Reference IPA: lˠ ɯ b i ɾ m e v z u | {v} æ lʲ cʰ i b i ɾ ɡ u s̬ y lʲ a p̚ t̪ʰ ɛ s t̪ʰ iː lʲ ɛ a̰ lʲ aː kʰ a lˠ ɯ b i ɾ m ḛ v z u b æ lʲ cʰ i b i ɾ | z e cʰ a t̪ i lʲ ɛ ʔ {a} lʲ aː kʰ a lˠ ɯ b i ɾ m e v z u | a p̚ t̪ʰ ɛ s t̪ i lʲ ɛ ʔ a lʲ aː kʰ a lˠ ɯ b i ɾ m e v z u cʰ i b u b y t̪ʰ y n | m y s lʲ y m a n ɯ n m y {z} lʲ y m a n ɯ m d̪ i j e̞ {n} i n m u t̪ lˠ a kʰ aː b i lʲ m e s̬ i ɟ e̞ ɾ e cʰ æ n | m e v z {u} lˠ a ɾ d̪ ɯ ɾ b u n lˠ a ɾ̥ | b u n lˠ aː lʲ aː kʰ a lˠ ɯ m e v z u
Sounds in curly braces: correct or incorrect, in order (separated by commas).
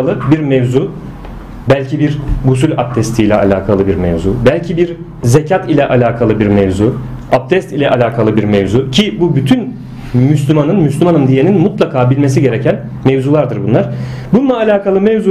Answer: incorrect, correct, incorrect, correct, correct